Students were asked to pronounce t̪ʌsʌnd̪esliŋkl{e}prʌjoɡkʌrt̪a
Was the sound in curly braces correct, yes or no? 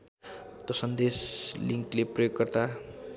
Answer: yes